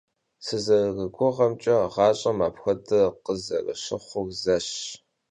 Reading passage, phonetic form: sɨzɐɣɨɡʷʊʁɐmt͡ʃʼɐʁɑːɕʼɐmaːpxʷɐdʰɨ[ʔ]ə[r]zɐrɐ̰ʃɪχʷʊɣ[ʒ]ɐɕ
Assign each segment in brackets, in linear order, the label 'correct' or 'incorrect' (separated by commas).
incorrect, incorrect, incorrect